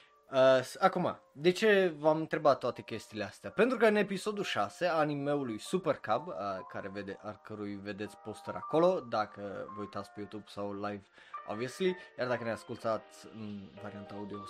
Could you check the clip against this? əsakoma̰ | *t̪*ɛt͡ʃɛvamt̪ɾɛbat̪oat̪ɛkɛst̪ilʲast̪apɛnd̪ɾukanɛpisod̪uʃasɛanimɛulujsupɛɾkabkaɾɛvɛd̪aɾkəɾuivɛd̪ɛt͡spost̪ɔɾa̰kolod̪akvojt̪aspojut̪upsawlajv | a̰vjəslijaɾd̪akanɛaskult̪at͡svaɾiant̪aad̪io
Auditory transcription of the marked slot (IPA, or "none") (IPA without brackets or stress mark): d̪